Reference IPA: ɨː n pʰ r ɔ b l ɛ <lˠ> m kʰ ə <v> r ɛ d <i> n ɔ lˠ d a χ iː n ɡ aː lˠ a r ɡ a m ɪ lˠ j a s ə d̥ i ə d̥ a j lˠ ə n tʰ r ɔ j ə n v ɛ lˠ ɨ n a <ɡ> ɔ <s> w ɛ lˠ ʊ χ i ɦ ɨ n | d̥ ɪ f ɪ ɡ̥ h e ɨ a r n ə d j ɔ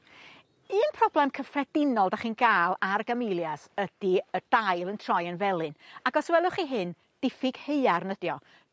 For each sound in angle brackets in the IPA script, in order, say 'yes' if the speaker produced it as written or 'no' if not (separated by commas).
no, no, no, yes, yes